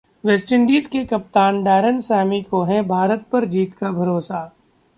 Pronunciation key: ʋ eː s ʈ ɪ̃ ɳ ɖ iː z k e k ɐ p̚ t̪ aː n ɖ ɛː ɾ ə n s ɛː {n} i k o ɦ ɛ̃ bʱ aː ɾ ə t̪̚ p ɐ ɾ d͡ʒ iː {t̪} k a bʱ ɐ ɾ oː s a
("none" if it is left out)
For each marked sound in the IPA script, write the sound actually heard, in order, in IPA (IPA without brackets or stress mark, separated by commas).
m, t̪